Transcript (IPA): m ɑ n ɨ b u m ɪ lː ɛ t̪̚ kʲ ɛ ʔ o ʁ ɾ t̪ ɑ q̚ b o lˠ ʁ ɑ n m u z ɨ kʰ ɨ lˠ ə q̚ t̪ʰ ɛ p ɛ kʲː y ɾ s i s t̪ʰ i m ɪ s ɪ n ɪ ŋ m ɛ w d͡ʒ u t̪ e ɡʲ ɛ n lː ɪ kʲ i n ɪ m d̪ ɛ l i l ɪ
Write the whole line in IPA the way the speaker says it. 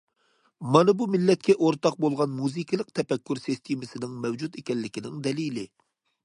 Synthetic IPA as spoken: m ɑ n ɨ b u m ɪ lː ɛ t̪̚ kʲ ɛ ʔ o ɾ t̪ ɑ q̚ b o lˠ ʁ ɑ n m u z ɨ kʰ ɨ lˠ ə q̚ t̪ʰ ɛ p ɛ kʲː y ɾ s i s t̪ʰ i m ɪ s ɪ n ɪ ŋ m ɛ w d͡ʒ u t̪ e kʲ ɛ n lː ɪ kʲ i n ɪ ŋ d̪ ɛ l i l ɪ